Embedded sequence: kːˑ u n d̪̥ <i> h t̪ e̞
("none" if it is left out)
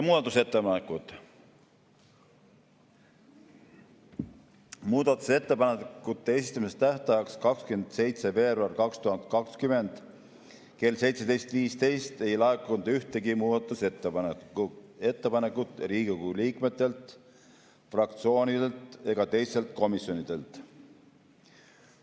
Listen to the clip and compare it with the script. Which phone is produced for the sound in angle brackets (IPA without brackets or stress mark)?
y